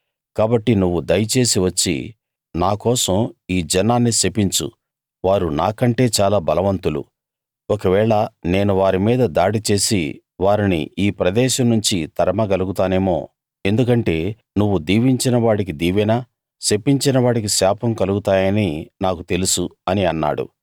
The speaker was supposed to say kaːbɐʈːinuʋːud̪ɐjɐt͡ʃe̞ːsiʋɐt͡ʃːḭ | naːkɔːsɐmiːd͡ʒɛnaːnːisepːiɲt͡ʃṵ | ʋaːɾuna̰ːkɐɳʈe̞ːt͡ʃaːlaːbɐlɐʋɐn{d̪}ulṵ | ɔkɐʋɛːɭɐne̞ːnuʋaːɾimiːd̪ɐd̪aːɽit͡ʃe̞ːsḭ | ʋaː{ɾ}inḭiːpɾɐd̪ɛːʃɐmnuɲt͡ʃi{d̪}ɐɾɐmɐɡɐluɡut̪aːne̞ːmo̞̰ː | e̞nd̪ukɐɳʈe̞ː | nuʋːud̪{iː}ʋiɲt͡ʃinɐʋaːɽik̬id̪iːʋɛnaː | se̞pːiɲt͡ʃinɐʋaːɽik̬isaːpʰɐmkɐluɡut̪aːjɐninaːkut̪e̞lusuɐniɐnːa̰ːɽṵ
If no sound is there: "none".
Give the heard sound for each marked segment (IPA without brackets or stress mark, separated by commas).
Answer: t̪, ɾ, t̪, iː